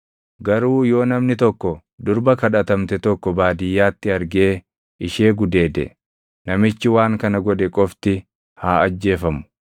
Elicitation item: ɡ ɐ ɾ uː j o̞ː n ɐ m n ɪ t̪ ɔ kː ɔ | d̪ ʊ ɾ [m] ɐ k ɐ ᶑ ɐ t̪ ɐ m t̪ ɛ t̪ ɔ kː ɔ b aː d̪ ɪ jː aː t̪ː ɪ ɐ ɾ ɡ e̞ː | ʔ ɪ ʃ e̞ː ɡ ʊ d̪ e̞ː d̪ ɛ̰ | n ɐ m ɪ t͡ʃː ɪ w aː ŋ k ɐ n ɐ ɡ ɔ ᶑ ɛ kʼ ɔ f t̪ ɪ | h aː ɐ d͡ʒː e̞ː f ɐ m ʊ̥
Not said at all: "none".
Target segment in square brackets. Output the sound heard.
b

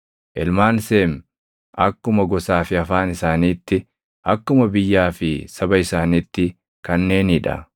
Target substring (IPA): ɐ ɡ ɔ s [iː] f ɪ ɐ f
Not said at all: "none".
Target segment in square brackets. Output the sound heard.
aː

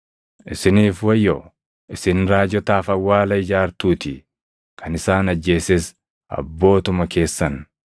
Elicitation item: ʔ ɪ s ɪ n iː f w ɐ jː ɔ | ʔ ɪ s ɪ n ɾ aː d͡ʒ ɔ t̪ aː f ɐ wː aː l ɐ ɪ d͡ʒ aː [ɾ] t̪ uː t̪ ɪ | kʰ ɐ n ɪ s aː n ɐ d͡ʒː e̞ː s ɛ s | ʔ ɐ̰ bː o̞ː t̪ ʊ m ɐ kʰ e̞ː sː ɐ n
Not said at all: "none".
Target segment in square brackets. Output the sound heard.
ɾ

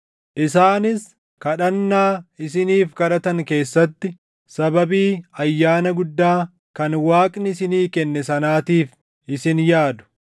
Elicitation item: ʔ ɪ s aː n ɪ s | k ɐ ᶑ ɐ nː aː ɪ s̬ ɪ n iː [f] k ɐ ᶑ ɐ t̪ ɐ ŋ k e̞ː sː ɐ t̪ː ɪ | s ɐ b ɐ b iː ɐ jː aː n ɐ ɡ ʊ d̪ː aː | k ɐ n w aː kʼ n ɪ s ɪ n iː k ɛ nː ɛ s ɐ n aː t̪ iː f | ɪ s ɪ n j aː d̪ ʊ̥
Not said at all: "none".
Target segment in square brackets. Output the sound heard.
f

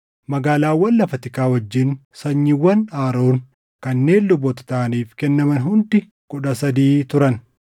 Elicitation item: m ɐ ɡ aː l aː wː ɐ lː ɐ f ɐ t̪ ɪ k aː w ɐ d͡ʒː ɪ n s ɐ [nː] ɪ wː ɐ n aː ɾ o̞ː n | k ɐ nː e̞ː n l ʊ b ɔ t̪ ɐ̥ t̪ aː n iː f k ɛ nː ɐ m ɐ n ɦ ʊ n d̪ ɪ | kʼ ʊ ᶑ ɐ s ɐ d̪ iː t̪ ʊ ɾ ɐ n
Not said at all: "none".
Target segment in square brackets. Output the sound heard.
ɲː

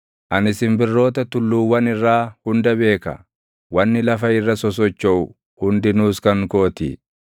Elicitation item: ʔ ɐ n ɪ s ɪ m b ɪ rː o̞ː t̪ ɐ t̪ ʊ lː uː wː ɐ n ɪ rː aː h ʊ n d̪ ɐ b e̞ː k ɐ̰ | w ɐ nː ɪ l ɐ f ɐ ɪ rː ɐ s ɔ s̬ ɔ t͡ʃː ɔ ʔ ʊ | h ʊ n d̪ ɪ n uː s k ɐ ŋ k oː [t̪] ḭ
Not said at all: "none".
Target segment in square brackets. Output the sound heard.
t̪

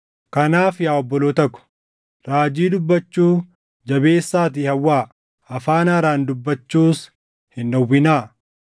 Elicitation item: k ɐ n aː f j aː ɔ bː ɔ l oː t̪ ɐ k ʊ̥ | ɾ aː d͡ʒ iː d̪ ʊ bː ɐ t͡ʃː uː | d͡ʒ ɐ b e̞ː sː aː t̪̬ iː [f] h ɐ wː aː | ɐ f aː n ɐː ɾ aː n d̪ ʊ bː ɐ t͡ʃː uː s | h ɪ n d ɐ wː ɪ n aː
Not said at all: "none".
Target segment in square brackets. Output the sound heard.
none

